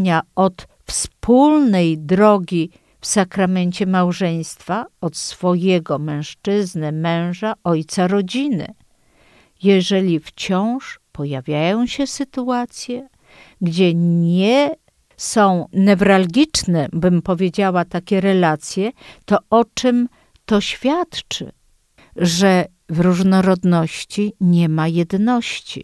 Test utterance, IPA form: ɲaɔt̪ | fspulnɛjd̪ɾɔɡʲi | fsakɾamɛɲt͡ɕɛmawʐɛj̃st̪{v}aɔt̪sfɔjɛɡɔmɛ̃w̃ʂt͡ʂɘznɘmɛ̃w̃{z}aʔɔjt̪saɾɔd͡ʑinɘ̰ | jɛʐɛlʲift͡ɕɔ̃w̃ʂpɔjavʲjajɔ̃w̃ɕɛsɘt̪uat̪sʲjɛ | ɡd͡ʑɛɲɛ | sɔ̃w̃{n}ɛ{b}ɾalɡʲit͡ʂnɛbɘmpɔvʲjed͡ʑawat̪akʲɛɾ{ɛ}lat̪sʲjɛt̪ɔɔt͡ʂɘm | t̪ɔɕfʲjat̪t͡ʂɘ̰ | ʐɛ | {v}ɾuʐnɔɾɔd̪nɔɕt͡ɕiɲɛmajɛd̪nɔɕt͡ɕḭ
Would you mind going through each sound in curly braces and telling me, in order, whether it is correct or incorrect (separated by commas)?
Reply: incorrect, incorrect, correct, incorrect, correct, correct